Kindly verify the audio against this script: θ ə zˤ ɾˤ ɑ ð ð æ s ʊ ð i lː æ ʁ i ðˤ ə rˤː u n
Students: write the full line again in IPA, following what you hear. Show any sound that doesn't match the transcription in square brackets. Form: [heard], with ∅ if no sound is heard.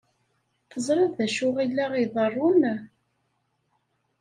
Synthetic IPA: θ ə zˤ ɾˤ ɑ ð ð æ [ʃ] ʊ [ʁ] i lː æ ʁ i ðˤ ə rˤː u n